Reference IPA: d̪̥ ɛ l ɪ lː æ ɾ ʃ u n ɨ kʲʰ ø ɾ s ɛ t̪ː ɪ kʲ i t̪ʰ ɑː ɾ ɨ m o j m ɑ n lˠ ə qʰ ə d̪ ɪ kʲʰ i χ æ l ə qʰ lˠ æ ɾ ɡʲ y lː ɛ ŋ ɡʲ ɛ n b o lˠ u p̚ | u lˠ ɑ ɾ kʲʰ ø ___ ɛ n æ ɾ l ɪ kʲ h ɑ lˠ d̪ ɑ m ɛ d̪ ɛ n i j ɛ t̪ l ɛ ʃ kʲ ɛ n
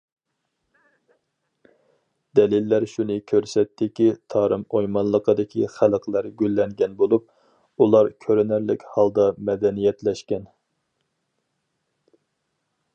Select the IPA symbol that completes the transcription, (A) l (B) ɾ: B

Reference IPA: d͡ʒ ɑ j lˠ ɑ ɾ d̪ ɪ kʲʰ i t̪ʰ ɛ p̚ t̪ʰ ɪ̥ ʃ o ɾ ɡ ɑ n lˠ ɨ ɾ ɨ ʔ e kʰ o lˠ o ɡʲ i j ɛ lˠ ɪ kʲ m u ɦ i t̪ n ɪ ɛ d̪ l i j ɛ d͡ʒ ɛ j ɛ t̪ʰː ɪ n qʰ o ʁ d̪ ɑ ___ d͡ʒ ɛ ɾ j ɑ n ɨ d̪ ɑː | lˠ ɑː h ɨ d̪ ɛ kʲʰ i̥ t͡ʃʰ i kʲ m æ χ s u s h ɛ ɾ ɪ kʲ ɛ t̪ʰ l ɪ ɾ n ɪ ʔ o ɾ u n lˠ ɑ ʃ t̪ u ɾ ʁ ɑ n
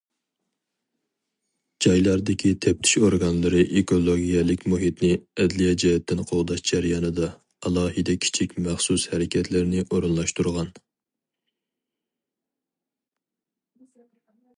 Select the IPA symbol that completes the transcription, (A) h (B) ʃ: B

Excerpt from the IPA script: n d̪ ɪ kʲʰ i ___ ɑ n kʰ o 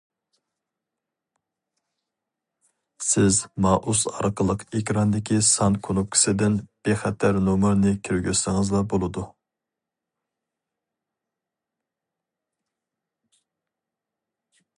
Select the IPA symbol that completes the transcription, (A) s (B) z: A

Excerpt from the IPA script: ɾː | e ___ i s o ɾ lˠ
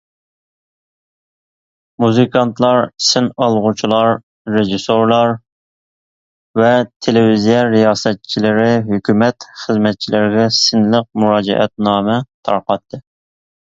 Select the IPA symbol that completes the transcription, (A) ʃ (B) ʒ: B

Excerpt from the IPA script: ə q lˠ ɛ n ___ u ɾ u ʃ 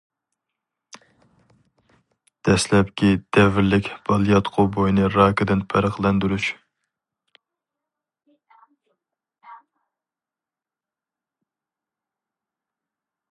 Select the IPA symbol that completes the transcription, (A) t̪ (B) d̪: B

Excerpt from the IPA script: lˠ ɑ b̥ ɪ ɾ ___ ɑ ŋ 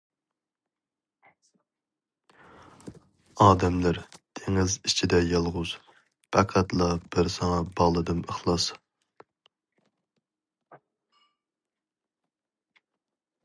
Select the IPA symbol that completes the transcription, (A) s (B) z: A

